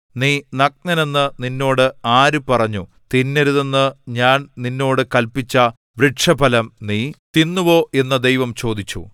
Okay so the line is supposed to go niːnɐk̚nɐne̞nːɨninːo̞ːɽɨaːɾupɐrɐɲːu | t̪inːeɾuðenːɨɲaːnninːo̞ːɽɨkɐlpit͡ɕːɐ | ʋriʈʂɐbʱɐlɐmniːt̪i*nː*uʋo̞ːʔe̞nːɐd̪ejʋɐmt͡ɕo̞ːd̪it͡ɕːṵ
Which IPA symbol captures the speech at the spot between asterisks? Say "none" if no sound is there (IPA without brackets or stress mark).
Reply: nː